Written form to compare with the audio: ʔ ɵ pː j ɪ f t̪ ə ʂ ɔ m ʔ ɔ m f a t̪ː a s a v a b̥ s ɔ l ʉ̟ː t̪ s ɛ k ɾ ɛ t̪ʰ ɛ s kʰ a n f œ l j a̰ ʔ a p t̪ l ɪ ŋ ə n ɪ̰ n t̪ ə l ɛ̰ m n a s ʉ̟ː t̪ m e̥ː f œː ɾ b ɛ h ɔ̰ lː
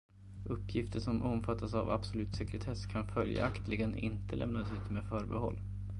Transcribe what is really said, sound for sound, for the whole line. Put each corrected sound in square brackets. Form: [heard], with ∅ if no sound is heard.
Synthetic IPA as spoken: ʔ ɵ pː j ɪ f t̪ ə ʂ ɔ m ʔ ɔ m f a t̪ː a s a v a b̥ s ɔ l ʉ̟ː t̪ s ɛ k ɾ ɛ t̪ʰ ɛ s kʰ a n f œ l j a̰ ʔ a [k] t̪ l ɪ [ɡ] ə n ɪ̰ n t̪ ə l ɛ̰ m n a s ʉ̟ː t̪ m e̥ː f œː ɾ b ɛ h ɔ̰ lː